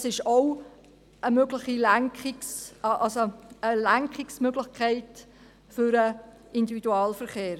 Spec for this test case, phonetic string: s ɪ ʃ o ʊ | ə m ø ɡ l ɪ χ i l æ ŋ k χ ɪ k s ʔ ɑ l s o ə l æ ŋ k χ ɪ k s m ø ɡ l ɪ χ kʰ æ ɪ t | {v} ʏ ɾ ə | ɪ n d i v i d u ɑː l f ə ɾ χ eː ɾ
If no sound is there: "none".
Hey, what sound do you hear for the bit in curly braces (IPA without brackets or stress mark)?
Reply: f